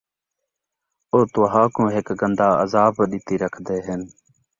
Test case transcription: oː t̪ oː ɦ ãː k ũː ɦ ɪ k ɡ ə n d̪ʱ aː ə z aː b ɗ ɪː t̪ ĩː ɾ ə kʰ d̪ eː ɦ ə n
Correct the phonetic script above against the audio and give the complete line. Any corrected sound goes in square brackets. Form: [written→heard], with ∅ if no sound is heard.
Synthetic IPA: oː t̪ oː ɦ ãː k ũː ɦ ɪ k ɡ ə n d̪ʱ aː ə z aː b ɗ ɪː t̪ [ĩː→iː] ɾ ə kʰ d̪ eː ɦ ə n